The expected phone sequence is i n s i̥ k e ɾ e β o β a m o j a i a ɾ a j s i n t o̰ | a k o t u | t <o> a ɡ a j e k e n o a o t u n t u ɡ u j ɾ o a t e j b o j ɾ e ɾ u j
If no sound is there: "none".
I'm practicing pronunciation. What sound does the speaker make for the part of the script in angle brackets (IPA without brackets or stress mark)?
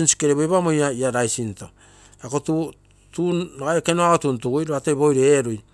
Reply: u